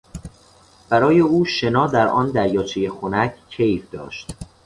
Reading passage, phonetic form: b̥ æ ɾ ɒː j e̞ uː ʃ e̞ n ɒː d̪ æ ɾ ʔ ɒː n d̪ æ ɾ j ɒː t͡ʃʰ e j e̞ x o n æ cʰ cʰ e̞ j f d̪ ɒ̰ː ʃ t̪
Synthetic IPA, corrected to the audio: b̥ æ ɾ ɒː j e̞ uː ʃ e̞ n ɒː d̪ æ ɾ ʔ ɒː n d̪ æ ɾ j ɒː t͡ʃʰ e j e̞ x o n æ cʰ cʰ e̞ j f d̪ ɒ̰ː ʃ t̪

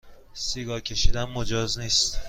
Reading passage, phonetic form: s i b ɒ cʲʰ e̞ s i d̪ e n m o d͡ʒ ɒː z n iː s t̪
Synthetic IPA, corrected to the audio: s i ɡ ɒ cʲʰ e̞ ʃ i d̪ æ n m o d͡ʒ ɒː z n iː s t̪

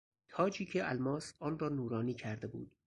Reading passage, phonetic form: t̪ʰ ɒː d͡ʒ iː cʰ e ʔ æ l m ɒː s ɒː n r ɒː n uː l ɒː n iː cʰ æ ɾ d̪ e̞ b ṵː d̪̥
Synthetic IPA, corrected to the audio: t̪ʰ ɒː d͡ʒ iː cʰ e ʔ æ l m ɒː s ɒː n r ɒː n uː ɾ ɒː n iː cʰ æ ɾ d̪ e̞ b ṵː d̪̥

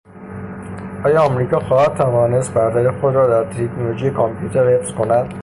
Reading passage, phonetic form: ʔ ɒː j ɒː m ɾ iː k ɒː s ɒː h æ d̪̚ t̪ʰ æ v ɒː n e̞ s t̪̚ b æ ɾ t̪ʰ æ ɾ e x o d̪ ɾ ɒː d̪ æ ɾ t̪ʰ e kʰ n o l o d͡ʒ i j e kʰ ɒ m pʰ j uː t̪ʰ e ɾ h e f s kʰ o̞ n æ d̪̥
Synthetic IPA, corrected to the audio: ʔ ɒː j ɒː m ɾ iː k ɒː x ɒː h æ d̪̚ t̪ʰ æ v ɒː n e̞ s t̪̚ b æ ɾ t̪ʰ æ ɾ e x o d̪ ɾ ɒː d̪ æ ɾ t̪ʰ e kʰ n o l o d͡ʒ i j e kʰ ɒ m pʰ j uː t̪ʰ e ɾ h e f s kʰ o̞ n æ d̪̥

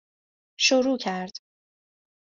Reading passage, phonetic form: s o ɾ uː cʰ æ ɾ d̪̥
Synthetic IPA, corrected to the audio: ʃ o ɾ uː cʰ æ ɾ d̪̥

